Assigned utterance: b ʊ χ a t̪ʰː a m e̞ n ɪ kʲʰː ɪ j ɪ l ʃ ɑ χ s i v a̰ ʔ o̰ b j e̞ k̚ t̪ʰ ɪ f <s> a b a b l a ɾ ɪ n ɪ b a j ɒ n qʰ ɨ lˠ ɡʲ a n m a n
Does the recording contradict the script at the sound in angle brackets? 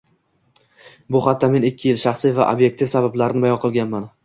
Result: no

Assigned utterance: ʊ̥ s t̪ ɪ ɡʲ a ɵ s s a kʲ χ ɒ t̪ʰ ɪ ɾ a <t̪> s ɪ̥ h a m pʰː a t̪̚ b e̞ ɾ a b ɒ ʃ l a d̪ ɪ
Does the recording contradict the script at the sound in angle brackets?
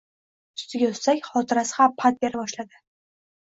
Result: yes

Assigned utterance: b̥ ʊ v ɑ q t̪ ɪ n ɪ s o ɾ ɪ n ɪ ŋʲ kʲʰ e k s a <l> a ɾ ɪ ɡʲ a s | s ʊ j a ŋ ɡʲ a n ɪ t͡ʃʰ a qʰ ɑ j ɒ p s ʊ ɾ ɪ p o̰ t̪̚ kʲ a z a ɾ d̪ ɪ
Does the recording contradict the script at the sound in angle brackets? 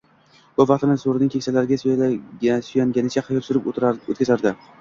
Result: no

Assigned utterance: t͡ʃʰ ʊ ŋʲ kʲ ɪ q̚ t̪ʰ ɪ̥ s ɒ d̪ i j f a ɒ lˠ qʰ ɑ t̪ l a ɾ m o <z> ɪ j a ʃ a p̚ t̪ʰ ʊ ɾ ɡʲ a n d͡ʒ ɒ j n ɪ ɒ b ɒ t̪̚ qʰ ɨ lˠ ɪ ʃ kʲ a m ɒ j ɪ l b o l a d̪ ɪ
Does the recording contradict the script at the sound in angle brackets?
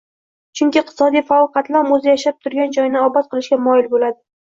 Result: no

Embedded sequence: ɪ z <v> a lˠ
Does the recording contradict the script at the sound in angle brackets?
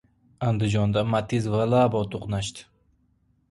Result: no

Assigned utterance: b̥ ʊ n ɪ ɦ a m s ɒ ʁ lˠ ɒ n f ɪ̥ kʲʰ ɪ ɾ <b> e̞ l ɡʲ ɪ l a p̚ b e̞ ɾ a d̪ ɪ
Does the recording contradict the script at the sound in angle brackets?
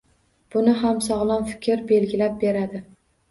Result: no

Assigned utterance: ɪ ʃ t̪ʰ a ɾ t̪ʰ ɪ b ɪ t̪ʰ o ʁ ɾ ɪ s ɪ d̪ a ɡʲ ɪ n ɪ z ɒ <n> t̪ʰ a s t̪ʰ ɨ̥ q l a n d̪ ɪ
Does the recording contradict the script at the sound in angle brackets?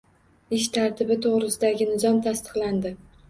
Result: yes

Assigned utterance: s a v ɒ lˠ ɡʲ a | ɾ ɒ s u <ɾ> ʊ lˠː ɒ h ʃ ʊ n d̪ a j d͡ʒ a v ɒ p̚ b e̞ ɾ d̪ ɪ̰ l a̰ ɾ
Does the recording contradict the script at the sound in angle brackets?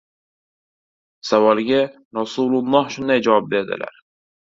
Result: yes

